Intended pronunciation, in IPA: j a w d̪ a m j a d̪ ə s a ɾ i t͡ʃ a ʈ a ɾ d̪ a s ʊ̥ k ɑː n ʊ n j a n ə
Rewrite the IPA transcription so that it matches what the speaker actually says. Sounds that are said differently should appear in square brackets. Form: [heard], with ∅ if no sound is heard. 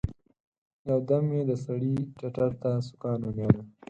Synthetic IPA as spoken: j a w d̪ a m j [e] d̪ ə s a [ɽ] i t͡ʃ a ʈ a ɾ [t̪] a s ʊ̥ k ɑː n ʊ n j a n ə